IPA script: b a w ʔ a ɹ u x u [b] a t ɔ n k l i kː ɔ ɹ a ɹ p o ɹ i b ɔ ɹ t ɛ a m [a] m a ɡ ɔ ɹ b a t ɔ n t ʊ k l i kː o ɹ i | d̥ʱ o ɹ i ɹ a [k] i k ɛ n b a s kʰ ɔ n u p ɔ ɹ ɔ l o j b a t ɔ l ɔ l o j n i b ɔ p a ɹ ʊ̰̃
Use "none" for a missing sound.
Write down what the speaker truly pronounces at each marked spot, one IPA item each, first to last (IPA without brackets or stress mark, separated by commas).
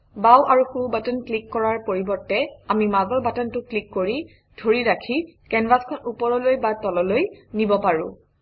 b, i, kʰ